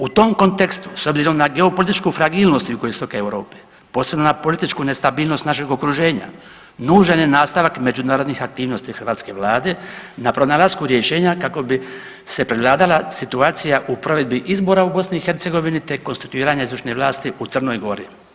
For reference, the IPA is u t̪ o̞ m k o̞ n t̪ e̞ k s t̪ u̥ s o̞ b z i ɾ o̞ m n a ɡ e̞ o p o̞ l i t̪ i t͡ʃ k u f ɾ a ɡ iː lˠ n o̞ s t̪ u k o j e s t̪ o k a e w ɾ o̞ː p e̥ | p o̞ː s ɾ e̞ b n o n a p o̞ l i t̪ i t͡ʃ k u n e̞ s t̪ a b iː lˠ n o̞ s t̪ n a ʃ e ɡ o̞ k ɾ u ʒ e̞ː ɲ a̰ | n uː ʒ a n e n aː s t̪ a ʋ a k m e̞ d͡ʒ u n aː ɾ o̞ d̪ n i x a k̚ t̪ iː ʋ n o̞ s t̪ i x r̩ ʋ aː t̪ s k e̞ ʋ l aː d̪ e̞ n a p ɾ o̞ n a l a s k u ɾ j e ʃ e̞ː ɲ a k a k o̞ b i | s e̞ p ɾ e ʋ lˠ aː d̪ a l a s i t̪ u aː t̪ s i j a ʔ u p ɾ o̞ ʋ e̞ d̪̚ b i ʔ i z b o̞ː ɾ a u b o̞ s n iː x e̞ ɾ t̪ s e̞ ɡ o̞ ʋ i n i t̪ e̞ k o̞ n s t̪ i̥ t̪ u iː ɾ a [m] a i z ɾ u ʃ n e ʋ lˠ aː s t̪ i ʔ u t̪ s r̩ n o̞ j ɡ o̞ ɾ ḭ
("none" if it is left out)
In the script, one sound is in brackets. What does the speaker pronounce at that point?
ɲ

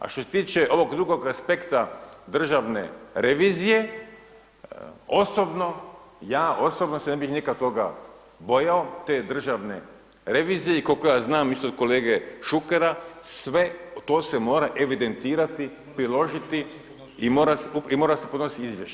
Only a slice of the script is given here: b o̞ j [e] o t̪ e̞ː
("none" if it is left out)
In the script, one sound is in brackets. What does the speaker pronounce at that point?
a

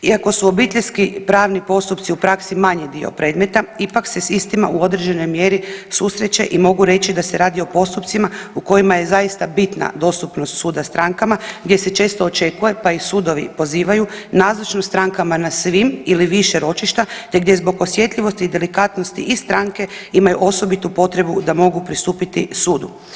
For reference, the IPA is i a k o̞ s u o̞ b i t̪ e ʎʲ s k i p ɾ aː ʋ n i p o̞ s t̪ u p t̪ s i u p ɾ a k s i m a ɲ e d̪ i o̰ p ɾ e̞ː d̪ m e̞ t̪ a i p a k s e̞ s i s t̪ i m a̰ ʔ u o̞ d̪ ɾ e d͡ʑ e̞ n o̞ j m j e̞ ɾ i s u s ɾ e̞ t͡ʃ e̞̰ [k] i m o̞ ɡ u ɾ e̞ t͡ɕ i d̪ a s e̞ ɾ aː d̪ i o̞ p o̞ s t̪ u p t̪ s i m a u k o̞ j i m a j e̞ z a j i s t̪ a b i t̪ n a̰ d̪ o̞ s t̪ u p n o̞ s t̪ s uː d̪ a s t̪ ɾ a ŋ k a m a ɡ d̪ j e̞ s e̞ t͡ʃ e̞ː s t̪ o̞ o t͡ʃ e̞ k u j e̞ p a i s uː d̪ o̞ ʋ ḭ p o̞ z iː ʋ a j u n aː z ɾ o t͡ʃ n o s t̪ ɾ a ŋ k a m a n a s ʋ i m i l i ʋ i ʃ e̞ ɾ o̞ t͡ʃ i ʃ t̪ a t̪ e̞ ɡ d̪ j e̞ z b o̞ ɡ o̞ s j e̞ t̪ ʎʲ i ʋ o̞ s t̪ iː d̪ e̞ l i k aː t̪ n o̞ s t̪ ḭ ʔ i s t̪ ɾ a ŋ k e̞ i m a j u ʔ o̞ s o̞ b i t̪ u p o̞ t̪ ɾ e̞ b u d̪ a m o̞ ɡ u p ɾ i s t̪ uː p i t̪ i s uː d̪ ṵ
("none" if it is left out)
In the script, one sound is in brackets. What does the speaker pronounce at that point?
ʔ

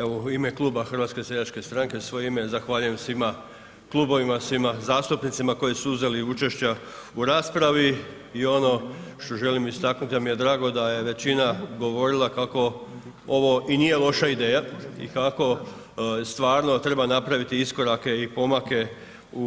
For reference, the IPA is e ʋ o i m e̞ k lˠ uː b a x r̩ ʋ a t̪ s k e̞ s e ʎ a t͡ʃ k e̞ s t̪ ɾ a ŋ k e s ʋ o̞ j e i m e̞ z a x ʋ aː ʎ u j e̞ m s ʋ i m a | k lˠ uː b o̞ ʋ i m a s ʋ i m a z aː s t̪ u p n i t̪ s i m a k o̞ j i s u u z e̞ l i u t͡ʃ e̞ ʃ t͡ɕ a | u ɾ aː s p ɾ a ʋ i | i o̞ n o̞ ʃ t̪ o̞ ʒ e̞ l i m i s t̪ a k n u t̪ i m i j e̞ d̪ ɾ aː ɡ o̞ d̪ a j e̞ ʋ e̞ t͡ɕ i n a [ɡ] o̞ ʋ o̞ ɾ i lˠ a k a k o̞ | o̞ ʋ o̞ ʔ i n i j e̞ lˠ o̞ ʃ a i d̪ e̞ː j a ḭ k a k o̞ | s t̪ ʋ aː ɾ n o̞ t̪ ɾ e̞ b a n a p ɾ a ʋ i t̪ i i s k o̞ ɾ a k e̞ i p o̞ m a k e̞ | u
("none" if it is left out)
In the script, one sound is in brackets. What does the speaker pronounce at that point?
ɡ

